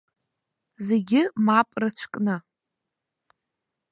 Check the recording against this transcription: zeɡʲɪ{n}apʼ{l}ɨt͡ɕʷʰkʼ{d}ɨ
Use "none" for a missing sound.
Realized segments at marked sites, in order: m, r, n

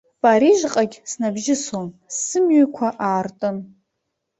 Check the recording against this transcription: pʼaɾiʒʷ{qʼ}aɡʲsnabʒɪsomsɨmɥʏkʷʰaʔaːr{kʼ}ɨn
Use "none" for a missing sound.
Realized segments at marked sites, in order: qʼ, tʼ

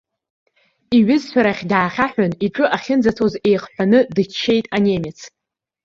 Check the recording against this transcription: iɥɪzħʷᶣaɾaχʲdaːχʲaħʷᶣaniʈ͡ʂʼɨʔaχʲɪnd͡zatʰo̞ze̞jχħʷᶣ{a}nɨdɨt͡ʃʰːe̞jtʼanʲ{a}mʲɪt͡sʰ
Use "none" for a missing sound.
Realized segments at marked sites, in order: a, e

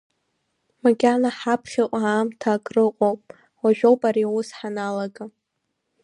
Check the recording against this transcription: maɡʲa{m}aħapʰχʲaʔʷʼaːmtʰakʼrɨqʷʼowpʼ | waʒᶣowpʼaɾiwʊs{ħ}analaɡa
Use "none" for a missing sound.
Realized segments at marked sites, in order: n, ħ

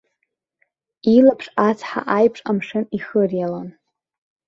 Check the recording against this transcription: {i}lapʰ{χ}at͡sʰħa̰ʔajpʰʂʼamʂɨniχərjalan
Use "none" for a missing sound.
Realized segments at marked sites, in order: i, ʂ

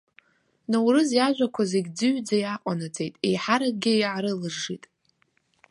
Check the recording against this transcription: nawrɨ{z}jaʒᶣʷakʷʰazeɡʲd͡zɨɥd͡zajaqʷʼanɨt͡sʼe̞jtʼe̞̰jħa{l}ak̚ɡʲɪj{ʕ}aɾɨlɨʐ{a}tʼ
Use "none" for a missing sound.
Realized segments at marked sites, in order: z, ɾ, ʕ, i

